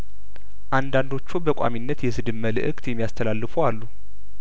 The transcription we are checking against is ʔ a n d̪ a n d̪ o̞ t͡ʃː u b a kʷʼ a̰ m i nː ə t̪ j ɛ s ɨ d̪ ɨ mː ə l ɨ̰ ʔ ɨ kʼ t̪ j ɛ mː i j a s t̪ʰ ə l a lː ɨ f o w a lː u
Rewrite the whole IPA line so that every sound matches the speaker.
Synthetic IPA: ʔ a n d̪ a n d̪ o̞ t͡ʃː u b ə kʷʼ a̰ m i nː ə t̪ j ɛ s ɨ d̪ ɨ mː ə l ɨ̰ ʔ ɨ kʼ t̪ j ɛ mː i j a s t̪ʰ ə l a lː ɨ f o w a lː u